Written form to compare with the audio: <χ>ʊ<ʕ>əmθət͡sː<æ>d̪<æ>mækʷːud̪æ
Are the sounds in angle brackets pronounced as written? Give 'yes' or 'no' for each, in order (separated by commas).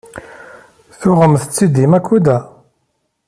no, no, no, no